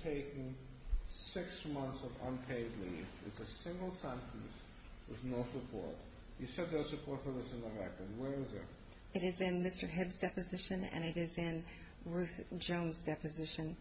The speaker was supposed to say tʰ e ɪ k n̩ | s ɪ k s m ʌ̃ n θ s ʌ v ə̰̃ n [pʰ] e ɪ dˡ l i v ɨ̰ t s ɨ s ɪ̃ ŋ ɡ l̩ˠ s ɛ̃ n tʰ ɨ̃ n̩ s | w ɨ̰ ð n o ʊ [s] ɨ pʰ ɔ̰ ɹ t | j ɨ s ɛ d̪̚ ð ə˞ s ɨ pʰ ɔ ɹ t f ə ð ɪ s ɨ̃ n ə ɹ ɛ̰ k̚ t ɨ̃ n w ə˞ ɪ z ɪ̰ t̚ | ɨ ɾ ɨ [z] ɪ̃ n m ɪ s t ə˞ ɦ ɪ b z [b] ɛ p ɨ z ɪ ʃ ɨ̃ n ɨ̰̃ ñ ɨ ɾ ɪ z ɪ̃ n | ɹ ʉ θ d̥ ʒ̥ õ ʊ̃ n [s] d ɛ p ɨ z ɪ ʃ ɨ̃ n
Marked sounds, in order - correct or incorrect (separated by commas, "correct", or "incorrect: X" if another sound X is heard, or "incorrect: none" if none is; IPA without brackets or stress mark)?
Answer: correct, correct, correct, incorrect: d, incorrect: z